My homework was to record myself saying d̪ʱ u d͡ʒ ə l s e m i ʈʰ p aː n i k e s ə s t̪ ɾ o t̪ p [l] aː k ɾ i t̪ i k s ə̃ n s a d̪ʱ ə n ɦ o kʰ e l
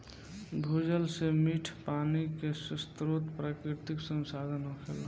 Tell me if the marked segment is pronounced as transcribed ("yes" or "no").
no